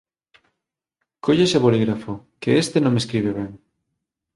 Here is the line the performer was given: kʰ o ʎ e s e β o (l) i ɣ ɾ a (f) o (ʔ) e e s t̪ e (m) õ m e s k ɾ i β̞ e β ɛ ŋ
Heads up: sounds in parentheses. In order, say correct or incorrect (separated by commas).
correct, correct, incorrect, incorrect